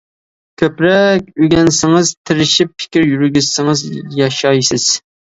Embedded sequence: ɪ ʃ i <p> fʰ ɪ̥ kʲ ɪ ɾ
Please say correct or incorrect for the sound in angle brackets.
correct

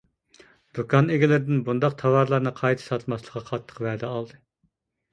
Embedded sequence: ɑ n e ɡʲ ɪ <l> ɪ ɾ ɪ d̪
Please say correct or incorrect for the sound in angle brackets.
correct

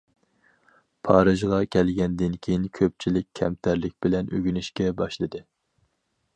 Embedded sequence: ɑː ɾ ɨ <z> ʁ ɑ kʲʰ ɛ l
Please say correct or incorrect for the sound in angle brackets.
incorrect: ʒ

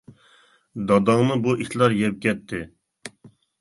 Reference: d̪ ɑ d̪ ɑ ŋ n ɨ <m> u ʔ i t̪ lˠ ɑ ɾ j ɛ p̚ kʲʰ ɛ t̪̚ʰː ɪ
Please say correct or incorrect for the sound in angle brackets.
incorrect: b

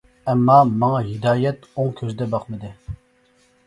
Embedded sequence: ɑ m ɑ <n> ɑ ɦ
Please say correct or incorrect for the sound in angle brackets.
incorrect: ŋ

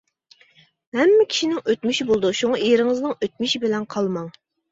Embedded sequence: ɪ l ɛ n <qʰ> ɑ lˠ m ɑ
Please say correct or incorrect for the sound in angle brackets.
correct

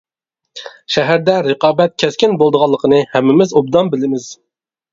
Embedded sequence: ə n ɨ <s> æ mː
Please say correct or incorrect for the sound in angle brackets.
incorrect: h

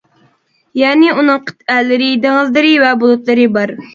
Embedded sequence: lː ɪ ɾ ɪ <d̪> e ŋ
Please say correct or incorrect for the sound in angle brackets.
correct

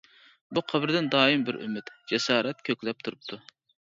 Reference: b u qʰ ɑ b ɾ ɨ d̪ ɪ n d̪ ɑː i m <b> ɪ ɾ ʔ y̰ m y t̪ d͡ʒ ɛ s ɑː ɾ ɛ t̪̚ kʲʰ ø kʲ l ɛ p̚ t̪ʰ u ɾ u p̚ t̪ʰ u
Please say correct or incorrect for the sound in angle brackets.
correct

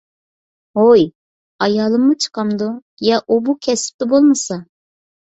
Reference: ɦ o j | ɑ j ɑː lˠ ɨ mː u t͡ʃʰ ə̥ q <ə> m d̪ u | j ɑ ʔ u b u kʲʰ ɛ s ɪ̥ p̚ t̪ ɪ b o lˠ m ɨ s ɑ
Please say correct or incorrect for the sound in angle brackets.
incorrect: ɑ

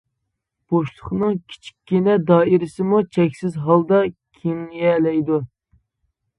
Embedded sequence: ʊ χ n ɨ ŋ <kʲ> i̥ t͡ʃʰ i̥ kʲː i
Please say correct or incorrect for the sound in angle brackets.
incorrect: kʲʰ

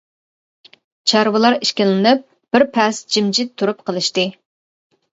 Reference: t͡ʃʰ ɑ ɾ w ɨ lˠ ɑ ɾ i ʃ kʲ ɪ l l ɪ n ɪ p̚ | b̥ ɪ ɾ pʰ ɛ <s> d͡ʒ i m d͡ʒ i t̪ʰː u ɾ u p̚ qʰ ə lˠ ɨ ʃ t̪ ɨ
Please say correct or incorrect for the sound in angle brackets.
correct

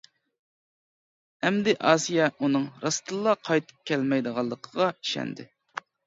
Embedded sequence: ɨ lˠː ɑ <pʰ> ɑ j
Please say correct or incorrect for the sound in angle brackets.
incorrect: qʰ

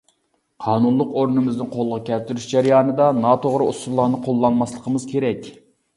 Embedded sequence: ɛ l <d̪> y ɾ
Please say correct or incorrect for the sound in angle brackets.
incorrect: t̪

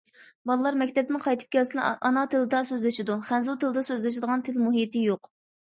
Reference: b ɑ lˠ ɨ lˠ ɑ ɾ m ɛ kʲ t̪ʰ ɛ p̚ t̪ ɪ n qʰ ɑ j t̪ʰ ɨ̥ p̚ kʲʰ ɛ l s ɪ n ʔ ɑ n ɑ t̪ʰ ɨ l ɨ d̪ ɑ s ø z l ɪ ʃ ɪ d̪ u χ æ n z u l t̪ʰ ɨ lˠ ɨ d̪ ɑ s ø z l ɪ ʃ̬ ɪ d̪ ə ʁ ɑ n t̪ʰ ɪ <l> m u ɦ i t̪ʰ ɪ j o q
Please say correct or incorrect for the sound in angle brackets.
correct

